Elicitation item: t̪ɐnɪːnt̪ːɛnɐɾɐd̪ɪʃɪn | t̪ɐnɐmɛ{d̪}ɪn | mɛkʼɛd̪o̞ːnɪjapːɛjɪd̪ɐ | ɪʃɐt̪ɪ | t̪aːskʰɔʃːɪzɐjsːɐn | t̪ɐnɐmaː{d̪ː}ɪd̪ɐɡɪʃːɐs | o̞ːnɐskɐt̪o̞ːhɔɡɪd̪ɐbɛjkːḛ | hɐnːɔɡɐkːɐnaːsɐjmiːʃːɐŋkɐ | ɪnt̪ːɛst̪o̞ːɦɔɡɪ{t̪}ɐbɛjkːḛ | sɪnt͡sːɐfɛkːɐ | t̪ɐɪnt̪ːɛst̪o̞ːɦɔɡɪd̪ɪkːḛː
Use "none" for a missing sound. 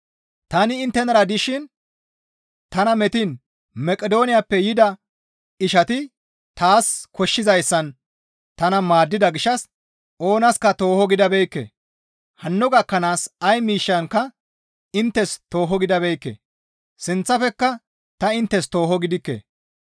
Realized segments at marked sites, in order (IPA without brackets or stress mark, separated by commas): t̪, d̪ː, d̪